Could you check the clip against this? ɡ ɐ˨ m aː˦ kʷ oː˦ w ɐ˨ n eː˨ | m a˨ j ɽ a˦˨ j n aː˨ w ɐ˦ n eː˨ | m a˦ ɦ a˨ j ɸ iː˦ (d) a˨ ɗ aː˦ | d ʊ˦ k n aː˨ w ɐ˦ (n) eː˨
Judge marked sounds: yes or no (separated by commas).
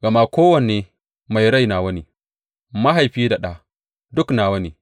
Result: yes, yes